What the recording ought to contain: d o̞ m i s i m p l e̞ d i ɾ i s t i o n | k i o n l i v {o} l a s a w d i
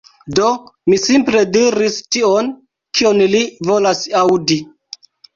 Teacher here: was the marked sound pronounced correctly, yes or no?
yes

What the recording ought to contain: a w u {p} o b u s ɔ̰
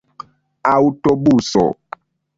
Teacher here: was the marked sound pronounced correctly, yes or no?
no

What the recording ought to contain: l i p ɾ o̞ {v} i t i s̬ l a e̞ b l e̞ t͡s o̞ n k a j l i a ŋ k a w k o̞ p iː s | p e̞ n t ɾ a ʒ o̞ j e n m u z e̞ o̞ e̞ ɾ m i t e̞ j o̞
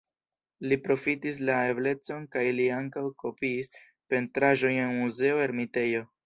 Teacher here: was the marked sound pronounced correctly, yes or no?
no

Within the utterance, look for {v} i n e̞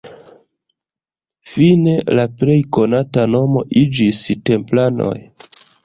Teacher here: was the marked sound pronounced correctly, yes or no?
no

